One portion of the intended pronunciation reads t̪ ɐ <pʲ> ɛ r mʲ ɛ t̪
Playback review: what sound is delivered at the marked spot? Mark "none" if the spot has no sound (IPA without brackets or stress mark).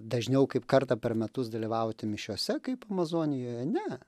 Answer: pʲ